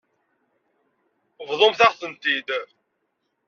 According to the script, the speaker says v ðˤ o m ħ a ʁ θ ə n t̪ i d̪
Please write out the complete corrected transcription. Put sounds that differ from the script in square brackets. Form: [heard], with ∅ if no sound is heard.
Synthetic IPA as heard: v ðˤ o m [θ] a ʁ θ ə n t̪ i d̪